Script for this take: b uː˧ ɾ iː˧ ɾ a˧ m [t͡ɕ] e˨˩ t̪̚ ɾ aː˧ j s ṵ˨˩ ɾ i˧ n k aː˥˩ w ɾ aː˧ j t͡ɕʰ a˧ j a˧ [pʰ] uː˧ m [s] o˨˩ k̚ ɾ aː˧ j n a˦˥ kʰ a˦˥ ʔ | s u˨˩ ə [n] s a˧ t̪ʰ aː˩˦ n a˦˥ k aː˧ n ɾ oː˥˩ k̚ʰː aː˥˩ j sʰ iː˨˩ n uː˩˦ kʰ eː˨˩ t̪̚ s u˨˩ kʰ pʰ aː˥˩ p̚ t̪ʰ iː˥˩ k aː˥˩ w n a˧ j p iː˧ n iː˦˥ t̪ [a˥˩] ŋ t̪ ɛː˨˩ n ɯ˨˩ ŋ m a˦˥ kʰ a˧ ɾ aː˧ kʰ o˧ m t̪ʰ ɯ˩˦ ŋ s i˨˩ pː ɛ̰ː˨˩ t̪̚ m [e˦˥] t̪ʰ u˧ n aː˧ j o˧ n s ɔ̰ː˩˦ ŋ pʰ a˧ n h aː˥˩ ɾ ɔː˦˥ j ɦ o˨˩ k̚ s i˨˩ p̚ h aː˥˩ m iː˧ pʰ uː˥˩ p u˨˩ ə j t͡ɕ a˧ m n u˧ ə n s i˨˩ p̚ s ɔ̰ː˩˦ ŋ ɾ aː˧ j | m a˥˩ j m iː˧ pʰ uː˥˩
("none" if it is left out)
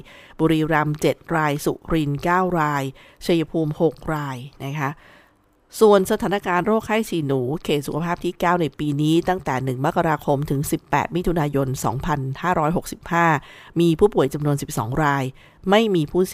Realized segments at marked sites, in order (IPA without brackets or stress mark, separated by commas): t͡ɕ, pʰ, h, n, a˥˩, i˦˥